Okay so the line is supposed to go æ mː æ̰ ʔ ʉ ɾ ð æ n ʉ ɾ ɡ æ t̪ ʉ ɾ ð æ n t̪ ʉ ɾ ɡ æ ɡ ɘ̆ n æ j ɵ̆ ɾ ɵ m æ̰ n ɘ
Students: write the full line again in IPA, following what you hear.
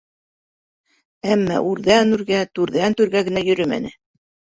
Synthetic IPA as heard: æ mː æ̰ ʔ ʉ ɾ ð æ n ʉ ɾ ɡ æ t̪ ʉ ɾ ð æ n t̪ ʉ ɾ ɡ æ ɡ ɘ̆ n æ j ɵ̆ ɾ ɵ m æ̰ n ɘ